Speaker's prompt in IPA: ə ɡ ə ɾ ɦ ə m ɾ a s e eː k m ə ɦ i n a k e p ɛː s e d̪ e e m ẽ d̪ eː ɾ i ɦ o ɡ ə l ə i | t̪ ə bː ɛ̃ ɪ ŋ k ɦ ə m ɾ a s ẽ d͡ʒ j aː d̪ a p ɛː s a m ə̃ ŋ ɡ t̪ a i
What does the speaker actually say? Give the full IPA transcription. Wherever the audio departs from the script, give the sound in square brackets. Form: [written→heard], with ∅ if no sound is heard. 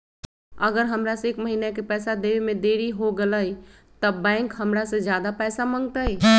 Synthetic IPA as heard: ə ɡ ə ɾ ɦ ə m ɾ a s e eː k m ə ɦ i n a k e p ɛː s [e→a] d̪ e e m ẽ d̪ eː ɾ i ɦ o ɡ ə l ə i | t̪ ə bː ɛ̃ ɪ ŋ k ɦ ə m ɾ a s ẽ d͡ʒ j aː d̪ a p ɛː s a m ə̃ ŋ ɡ t̪ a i